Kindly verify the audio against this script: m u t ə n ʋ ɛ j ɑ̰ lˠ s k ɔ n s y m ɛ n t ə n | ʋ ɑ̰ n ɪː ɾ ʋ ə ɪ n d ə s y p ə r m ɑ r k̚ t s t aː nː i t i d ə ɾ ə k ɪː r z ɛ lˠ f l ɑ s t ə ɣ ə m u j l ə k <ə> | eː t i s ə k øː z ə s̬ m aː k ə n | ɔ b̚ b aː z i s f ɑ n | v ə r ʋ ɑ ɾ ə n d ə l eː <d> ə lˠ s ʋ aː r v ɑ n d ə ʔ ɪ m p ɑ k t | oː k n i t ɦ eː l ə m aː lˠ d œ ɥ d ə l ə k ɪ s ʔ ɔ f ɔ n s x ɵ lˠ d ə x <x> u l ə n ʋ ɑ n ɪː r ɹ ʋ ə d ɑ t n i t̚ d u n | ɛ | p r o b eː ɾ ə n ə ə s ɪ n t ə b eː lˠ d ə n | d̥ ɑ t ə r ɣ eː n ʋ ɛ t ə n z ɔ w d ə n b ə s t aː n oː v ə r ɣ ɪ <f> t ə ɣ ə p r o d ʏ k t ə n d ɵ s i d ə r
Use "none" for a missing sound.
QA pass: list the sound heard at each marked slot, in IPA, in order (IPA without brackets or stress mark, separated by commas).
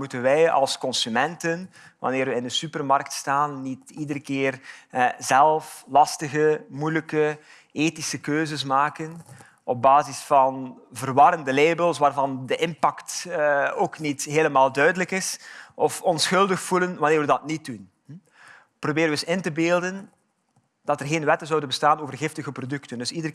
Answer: ə, b, f, f